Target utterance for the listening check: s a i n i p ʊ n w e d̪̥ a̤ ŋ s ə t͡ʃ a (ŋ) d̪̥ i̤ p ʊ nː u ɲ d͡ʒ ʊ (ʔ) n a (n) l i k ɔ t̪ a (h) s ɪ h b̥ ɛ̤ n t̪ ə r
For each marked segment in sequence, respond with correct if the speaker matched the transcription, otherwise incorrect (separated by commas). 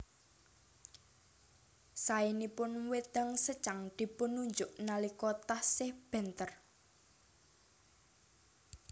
correct, correct, incorrect, correct